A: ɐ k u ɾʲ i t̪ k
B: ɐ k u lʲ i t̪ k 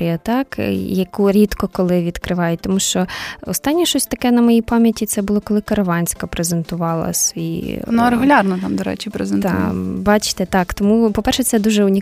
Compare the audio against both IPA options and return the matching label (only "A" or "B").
A